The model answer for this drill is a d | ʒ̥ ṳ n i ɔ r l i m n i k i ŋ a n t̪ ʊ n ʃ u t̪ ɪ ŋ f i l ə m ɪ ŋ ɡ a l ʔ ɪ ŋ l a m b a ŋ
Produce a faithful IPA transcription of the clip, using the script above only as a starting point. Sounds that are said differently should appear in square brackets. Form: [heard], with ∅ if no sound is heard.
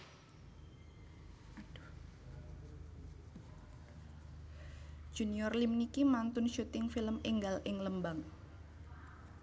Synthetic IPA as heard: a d | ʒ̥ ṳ n i ɔ r l i m n i k i [m] a n t̪ ʊ n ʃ u t̪ ɪ ŋ f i l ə m ɪ ŋ ɡ a l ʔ ɪ ŋ l [ə] m b a ŋ